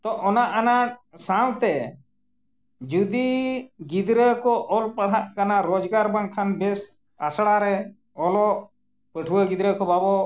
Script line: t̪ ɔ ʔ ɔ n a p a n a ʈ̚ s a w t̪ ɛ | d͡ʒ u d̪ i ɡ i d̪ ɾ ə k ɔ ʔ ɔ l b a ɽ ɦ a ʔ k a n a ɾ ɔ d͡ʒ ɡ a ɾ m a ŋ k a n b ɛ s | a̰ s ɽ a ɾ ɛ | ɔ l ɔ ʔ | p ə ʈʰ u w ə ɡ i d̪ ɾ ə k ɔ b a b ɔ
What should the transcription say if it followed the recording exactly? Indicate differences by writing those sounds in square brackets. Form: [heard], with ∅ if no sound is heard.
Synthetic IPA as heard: t̪ ɔ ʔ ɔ n a [ʔ] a n a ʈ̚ s a w t̪ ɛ | d͡ʒ u d̪ i ɡ i d̪ ɾ ə k ɔ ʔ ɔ l [p] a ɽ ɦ a ʔ k a n a ɾ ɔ d͡ʒ ɡ a ɾ [b] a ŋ [kʰ] a n b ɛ s | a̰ s ɽ a ɾ ɛ | ɔ l ɔ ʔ | p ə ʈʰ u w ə ɡ i d̪ ɾ ə k ɔ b a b ɔ